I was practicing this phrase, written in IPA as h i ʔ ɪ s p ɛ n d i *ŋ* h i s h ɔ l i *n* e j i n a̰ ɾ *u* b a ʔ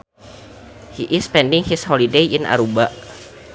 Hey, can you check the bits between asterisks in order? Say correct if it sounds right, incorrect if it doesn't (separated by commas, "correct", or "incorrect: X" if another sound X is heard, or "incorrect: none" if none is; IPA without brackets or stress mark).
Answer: correct, incorrect: d, correct